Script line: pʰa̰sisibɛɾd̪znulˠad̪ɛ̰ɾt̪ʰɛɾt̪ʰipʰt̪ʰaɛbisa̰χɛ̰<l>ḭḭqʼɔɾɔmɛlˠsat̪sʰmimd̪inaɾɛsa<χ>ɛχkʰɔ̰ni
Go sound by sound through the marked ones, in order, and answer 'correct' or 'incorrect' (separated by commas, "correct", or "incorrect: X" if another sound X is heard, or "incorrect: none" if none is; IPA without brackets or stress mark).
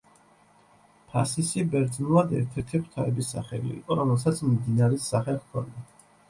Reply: correct, correct